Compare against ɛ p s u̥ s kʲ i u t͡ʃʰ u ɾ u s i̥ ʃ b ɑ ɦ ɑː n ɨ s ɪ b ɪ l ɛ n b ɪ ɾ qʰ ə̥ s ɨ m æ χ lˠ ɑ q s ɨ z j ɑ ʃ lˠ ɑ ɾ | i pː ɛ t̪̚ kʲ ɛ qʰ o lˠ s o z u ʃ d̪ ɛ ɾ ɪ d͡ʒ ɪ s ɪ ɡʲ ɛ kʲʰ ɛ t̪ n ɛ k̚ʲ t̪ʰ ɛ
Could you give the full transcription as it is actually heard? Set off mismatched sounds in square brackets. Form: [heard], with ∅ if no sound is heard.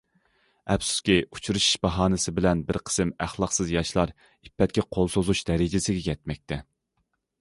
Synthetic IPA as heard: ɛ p s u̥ s kʲ i u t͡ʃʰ u ɾ u [ʃ] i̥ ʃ b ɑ ɦ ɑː n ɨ s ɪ b ɪ l ɛ n b ɪ ɾ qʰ ə̥ s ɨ m æ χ lˠ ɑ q s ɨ z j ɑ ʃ lˠ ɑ ɾ | i pː ɛ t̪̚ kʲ ɛ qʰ o lˠ s o z u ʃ d̪ ɛ ɾ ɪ d͡ʒ ɪ s ɪ ɡʲ ɛ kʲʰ ɛ t̪ [m] ɛ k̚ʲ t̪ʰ ɛ